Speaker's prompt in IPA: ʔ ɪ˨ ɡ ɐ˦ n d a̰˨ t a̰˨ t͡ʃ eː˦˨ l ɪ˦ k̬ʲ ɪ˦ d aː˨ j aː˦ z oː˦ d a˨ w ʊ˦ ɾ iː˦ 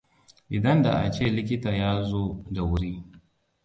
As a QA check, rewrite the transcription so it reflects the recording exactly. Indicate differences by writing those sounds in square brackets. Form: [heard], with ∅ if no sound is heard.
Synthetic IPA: ʔ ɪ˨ [d] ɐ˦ n d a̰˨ [ʔ] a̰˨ t͡ʃ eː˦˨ l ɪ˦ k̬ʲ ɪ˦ [t] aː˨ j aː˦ z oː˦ d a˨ w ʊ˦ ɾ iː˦